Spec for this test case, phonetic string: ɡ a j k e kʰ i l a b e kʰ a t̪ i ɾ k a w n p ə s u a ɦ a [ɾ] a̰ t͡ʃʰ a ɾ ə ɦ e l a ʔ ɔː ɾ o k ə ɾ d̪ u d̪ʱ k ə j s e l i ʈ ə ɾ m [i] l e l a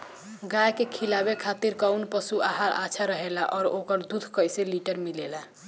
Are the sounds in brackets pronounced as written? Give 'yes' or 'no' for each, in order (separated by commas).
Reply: yes, yes